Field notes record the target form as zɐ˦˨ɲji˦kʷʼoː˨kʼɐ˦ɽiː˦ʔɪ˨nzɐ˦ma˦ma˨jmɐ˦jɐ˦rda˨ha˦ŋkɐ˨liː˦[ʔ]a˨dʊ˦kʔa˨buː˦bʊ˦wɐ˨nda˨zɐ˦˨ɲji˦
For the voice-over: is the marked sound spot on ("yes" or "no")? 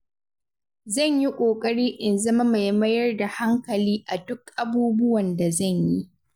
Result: yes